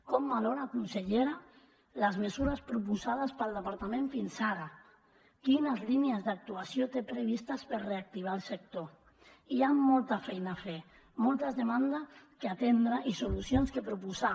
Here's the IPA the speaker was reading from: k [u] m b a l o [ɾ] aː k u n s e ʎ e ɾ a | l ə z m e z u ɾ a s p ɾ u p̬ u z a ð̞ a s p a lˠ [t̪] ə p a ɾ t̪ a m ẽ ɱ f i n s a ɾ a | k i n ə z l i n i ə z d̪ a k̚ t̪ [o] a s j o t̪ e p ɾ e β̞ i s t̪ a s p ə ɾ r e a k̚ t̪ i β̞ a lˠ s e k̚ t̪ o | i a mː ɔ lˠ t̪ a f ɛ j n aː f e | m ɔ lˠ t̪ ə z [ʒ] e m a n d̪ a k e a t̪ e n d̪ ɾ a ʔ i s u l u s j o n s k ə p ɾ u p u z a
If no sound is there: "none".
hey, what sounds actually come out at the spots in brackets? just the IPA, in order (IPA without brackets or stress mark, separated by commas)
ɔ, ɾ, d̪, u, ð